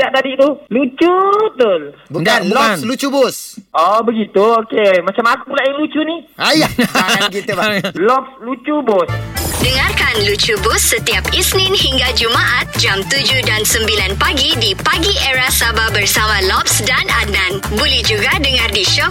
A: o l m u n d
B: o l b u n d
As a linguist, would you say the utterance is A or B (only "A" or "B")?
B